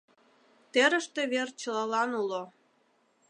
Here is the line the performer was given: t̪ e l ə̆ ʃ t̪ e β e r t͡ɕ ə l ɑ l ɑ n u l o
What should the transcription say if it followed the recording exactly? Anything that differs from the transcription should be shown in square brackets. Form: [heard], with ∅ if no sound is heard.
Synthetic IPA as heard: t̪ e [ɾ] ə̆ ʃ t̪ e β e r t͡ɕ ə l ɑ l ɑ n u l o